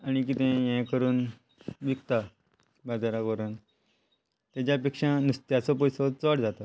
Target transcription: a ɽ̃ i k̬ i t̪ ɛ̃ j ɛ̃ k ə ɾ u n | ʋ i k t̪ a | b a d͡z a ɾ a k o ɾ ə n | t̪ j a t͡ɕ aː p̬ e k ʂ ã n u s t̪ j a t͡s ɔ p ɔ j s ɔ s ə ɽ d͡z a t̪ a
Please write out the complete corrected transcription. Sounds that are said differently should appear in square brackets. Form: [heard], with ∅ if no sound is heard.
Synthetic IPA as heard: a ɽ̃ i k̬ i t̪ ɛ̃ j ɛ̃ k ə ɾ [uː] n | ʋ i k t̪ a | b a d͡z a ɾ a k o ɾ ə n | t̪ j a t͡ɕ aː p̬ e k ʂ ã n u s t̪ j a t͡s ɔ p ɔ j s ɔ [t͡s] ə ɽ d͡z a t̪ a